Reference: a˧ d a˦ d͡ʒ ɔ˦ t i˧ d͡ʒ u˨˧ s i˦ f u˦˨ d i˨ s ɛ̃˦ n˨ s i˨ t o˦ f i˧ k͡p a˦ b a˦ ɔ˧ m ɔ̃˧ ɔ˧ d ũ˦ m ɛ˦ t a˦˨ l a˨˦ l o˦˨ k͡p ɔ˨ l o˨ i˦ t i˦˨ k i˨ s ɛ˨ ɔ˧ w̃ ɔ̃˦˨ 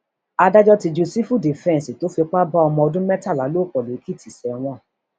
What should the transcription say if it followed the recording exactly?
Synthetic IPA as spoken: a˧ d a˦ d͡ʒ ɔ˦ t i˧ d͡ʒ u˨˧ s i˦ f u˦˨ d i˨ f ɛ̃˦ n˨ s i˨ t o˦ f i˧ k͡p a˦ b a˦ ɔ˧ m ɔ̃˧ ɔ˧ d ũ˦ m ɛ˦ t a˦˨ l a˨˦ l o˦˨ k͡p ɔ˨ l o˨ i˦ k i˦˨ t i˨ s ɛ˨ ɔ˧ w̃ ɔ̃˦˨